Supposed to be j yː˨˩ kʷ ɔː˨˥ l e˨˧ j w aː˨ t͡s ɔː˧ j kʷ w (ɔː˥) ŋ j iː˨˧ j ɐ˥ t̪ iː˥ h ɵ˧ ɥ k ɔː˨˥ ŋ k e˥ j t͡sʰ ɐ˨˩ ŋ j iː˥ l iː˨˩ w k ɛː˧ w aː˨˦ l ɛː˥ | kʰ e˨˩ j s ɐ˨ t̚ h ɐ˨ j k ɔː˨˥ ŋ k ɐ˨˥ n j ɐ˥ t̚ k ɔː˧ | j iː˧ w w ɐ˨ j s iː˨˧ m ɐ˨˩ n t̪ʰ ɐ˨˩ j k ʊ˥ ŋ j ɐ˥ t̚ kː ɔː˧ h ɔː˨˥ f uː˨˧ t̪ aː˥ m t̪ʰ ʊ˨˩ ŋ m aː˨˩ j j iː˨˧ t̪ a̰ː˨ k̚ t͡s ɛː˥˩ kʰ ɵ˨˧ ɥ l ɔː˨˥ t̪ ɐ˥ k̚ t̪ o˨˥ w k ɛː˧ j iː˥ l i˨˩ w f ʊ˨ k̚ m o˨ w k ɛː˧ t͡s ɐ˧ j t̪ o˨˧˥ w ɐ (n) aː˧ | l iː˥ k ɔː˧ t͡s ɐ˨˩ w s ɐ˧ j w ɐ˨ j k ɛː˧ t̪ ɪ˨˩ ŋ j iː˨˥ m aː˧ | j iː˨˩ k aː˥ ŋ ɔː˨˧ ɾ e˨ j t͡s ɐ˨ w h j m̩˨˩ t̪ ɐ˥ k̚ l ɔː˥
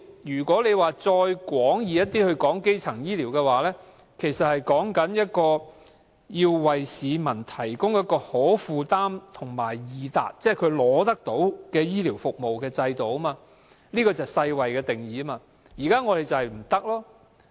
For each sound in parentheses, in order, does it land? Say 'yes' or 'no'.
no, no

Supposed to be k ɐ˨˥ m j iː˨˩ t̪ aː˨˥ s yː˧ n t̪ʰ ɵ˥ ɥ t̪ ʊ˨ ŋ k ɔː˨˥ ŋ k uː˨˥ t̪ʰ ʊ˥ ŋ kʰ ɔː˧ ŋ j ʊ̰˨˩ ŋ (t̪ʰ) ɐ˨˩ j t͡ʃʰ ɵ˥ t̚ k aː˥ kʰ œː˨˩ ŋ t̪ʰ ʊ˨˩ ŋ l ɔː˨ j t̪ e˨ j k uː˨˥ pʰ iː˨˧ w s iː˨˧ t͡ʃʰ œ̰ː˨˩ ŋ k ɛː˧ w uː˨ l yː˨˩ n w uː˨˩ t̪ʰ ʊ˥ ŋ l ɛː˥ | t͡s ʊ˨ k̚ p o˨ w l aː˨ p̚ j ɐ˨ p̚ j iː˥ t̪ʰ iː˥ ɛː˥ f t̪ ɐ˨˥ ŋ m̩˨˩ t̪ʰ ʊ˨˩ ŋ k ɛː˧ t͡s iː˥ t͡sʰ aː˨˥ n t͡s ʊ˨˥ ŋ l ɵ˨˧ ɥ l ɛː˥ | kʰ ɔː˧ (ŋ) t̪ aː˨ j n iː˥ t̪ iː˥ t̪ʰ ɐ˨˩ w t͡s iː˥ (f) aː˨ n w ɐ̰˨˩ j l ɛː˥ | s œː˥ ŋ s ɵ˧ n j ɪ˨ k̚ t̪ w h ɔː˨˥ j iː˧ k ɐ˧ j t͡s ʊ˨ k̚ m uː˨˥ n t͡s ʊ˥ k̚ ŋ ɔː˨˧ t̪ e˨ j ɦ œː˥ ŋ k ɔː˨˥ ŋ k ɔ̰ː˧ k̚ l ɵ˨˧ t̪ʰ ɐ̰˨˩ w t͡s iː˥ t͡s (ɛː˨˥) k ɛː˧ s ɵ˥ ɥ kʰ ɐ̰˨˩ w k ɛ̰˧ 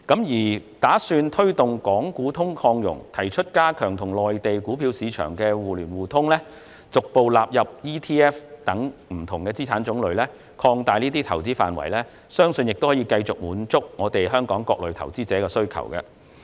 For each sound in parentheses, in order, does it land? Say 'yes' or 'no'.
yes, yes, yes, yes

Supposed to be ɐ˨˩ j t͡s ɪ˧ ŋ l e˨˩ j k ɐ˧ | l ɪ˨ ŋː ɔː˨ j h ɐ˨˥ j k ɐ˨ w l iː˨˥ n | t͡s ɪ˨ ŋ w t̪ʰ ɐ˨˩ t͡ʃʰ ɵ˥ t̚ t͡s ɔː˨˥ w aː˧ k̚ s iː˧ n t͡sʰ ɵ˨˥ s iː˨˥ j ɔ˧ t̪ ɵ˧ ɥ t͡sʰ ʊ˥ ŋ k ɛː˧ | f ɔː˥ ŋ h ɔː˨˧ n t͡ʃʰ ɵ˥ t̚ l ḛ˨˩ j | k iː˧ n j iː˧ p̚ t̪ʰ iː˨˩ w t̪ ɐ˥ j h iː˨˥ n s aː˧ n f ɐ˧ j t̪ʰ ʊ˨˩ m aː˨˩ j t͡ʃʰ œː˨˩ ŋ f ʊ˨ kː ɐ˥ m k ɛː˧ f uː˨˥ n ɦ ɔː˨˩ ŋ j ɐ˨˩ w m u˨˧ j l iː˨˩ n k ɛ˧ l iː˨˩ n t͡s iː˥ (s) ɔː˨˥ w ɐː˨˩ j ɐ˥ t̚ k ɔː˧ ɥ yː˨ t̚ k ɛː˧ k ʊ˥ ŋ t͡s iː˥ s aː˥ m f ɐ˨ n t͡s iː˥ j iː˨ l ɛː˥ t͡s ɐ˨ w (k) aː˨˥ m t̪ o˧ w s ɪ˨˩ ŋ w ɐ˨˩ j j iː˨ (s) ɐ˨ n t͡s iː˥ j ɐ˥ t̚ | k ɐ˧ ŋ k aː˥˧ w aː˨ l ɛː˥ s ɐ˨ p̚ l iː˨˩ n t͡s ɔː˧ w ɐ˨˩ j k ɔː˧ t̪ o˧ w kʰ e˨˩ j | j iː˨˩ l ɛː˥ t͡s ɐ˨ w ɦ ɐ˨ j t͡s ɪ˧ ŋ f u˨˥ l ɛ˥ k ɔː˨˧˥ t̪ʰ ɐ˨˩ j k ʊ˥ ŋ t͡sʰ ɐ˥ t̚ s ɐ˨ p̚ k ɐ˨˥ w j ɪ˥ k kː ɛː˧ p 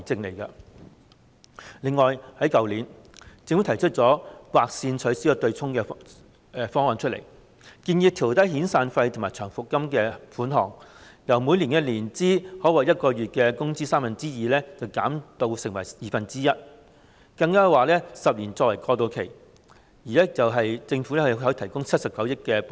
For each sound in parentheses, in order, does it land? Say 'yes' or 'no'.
no, yes, no

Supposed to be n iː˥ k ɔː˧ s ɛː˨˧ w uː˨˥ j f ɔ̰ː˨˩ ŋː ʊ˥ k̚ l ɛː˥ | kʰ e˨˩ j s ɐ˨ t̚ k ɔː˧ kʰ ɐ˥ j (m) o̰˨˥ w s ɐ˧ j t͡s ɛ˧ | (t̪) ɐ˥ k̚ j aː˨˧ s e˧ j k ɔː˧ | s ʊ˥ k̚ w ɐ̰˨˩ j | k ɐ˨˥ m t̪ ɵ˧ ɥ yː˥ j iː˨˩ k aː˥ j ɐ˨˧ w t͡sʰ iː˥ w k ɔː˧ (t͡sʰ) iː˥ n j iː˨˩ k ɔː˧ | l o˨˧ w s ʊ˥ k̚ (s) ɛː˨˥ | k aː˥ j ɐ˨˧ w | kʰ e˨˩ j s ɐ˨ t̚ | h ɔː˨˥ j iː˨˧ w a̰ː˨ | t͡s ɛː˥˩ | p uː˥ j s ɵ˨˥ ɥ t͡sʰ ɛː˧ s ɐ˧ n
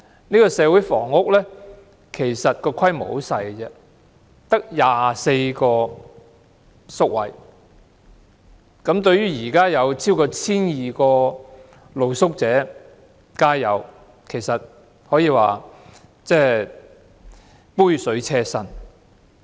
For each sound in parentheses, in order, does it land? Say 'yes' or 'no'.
yes, yes, yes, no

